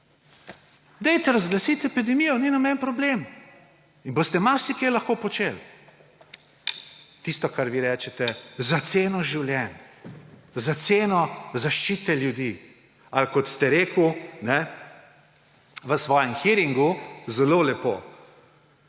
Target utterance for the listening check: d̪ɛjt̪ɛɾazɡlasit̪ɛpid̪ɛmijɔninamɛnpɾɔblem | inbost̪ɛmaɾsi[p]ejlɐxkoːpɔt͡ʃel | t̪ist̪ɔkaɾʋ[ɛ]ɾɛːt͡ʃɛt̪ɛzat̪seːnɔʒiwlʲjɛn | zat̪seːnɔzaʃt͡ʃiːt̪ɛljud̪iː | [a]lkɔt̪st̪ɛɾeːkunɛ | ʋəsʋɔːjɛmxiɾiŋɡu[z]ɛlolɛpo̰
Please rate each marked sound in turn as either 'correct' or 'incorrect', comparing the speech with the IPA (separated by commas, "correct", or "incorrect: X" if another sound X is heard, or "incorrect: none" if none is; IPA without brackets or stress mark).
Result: incorrect: k, incorrect: i, correct, correct